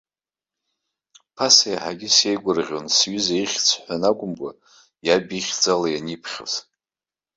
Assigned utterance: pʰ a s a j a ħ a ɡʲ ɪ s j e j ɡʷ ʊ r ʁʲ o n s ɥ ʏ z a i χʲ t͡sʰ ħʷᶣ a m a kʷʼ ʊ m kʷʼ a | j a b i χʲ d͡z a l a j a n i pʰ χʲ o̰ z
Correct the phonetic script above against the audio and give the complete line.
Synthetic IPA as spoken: pʰ a s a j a ħ a ɡʲ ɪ s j e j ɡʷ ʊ r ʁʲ o n s ɥ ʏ z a i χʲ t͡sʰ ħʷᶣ a n a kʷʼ ʊ m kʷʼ a | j a b i χʲ d͡z a l a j a n i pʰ χʲ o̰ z